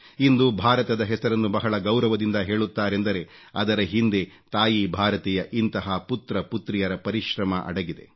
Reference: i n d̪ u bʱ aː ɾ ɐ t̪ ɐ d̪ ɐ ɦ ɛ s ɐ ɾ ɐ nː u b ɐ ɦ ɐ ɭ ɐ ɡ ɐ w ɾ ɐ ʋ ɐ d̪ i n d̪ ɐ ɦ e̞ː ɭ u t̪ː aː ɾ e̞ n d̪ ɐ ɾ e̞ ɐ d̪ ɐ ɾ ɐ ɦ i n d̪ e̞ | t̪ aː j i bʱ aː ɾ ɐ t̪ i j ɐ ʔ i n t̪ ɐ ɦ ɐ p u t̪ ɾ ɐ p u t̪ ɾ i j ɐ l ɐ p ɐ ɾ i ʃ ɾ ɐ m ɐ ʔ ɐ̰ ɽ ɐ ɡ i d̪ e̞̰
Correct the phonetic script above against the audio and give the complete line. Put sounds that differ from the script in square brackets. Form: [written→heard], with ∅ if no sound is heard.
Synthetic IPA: i n d̪ u bʱ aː ɾ ɐ t̪ ɐ d̪ ɐ ɦ ɛ s ɐ ɾ ɐ nː u b ɐ ɦ ɐ ɭ ɐ ɡ ɐ w ɾ ɐ ʋ ɐ d̪ i n d̪ ɐ ɦ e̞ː ɭ u t̪ː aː ɾ e̞ n d̪ ɐ ɾ e̞ ɐ d̪ ɐ ɾ ɐ ɦ i n d̪ e̞ | t̪ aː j i bʱ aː ɾ ɐ t̪ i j ɐ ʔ i n t̪ ɐ ɦ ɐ p u t̪ ɾ ɐ p u t̪ ɾ i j ɐ [l→ɾ] ɐ p ɐ ɾ i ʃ ɾ ɐ m ɐ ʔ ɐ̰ ɽ ɐ ɡ i d̪ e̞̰